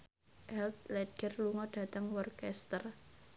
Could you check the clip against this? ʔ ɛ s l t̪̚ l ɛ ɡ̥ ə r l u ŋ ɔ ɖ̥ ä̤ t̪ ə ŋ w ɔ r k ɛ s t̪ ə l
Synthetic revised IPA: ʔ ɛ l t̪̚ l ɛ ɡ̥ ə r l u ŋ ɔ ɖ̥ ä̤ t̪ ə ŋ w ɔ r k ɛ s t̪ ə r